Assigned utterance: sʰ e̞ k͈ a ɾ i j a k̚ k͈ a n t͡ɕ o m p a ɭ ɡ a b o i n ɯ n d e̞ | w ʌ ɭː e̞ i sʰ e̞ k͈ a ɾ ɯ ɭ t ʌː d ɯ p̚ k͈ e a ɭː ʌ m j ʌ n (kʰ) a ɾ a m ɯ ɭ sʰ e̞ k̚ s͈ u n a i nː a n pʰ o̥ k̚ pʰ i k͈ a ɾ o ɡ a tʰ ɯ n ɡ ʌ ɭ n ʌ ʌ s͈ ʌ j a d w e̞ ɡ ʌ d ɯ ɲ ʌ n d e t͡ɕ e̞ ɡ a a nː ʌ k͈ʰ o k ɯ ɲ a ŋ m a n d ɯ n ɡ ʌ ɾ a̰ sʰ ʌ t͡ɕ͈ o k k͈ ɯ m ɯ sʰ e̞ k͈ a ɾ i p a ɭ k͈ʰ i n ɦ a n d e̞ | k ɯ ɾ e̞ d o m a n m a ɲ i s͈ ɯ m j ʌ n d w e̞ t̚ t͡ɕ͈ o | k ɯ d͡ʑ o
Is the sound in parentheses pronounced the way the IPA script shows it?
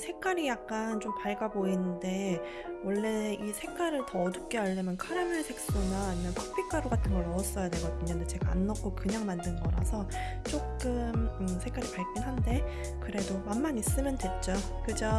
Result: yes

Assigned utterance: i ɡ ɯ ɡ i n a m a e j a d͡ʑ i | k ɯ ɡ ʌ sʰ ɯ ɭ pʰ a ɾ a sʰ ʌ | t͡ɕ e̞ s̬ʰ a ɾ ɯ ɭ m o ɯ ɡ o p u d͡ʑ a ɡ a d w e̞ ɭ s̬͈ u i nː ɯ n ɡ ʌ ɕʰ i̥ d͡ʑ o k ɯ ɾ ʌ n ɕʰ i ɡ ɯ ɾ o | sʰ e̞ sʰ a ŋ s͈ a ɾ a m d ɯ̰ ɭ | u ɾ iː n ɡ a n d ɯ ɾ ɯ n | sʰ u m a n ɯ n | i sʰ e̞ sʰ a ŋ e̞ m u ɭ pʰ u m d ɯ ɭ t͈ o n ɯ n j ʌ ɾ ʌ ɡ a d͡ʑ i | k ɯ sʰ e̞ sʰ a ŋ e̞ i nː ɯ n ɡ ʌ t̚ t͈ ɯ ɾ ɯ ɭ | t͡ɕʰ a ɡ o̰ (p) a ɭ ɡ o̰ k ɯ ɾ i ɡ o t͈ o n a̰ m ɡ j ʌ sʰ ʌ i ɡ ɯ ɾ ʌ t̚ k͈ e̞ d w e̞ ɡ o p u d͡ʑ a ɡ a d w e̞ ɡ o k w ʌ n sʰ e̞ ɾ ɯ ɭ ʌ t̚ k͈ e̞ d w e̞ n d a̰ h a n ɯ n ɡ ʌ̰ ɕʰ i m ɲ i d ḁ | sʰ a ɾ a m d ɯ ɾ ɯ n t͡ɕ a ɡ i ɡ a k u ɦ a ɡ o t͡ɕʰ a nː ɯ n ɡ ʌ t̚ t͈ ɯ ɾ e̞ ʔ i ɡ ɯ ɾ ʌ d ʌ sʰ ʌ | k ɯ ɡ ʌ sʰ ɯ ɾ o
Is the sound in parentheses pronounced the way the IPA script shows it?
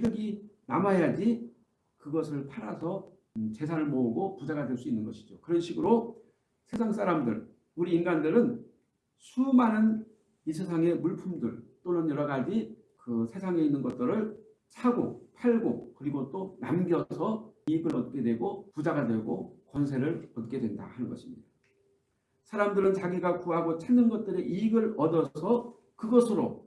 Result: no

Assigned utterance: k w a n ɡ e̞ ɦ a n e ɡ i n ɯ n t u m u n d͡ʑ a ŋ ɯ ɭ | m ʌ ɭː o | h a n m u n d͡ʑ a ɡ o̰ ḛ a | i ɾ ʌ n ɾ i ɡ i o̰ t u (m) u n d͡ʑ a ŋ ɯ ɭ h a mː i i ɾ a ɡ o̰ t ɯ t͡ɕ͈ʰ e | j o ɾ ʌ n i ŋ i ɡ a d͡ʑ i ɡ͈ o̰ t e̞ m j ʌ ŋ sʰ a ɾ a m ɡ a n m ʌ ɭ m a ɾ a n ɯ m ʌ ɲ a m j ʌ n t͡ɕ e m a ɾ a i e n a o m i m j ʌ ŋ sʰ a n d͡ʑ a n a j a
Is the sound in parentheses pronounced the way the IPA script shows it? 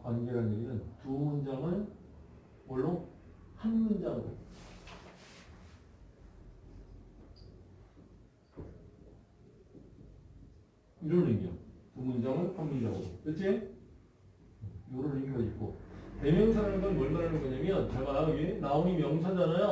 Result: yes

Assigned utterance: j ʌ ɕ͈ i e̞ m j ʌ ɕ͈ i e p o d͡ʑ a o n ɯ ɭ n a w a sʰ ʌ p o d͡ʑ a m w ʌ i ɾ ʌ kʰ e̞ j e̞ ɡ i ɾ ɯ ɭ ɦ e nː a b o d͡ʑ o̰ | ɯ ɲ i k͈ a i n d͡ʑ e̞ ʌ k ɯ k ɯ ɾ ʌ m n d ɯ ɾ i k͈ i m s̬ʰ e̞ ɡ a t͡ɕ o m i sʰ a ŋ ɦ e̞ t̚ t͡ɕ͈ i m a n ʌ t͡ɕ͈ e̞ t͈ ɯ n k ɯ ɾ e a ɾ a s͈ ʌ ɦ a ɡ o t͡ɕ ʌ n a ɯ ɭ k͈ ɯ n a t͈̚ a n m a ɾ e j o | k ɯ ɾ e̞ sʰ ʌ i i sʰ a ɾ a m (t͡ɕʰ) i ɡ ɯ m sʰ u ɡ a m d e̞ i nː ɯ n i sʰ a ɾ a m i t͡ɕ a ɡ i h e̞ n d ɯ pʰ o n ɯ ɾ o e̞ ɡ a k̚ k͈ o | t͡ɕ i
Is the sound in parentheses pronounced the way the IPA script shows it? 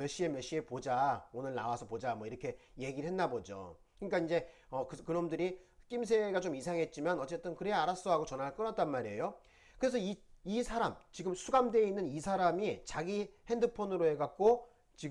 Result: no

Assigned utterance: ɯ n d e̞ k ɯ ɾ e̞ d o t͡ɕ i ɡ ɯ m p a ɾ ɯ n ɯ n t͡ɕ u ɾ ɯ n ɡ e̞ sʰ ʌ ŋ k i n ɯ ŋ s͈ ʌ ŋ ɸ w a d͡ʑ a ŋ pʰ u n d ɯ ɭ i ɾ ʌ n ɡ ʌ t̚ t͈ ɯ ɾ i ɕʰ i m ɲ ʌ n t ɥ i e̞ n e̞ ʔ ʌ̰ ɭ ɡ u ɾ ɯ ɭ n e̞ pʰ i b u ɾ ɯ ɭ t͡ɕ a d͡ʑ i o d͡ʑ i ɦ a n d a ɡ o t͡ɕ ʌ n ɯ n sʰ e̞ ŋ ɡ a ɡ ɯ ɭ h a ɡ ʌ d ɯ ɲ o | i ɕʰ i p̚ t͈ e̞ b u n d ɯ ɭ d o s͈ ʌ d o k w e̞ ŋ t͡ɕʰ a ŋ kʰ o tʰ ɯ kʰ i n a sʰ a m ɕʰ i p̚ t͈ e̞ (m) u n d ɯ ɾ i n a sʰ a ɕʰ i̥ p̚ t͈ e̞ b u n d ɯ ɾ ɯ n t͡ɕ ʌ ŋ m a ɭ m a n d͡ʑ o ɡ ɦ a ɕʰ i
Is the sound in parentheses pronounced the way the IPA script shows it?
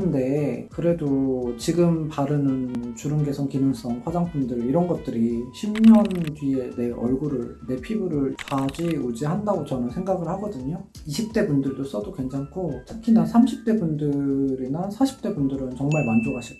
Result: no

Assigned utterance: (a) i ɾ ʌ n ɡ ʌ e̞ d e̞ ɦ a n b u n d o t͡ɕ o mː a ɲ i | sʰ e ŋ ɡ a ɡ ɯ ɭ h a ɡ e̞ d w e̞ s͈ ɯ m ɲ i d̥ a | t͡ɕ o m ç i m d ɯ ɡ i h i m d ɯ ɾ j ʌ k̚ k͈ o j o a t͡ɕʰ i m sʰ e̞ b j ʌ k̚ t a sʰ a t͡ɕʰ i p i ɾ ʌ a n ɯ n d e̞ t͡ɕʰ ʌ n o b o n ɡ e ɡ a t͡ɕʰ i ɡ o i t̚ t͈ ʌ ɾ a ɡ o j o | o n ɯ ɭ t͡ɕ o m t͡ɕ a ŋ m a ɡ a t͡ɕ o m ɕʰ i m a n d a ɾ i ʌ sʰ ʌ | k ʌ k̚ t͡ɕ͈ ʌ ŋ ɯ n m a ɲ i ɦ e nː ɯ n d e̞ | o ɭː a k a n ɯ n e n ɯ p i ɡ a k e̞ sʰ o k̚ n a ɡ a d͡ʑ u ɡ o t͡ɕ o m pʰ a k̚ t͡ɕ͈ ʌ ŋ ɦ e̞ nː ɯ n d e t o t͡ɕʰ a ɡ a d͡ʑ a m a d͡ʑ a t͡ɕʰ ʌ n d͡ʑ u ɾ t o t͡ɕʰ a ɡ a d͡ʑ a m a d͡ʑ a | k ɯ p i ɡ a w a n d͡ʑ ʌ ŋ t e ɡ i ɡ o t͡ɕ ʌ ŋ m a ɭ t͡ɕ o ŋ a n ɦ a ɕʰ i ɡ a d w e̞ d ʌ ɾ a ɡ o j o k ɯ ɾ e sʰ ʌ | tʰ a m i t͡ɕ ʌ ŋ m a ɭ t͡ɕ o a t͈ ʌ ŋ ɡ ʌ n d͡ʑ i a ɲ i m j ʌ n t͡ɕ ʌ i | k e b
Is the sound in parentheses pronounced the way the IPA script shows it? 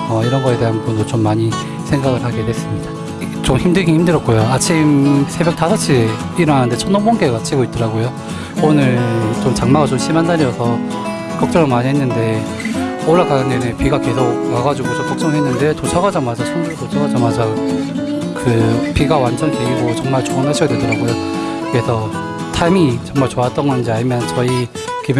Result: no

